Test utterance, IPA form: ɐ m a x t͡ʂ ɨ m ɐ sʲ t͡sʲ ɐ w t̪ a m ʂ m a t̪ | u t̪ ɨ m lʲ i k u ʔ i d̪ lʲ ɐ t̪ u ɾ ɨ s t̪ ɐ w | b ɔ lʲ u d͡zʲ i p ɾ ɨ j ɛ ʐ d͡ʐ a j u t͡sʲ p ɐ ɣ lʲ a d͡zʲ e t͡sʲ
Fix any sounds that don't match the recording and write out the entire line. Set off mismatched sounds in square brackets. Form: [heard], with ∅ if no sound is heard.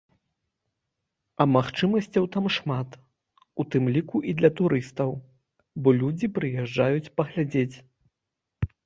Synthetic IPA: ɐ m a x t͡ʂ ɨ m ɐ sʲ t͡sʲ ɐ w t̪ a m ʂ m a t̪ | u t̪ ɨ m lʲ i k u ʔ i d̪ lʲ ɐ t̪ u ɾ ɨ s t̪ ɐ w | b ɔ lʲ u d͡zʲ i p ɾ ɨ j ɛ ʐ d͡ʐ a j u t͡sʲ p ɐ ɣ lʲ a d͡zʲ e t͡sʲ